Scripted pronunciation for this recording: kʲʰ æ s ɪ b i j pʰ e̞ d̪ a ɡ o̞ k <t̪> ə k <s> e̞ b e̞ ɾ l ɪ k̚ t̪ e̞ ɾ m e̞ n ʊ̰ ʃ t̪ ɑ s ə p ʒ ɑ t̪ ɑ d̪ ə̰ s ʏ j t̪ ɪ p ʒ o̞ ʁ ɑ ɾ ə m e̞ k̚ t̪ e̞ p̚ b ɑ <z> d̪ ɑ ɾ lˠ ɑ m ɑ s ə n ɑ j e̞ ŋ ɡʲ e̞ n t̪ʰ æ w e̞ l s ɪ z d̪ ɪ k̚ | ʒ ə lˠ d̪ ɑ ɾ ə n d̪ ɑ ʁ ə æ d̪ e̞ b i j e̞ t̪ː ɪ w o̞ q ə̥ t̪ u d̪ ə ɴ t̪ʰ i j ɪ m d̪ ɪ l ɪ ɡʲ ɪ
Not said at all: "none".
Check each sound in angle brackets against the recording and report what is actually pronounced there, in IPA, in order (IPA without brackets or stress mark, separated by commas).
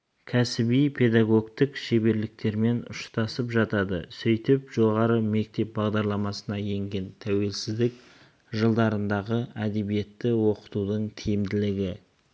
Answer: t̪, ʃ, ʁ